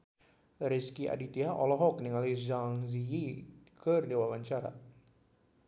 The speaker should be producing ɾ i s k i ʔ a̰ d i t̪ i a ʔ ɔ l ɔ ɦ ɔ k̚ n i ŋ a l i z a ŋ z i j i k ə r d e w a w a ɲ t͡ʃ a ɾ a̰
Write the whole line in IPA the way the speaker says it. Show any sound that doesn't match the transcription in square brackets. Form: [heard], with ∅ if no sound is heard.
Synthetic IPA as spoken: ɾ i s k i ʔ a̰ d i t̪ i a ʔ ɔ l ɔ ɦ ɔ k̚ n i ŋ a l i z a ŋ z i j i k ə r d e w a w a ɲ t͡ʃ a ɾ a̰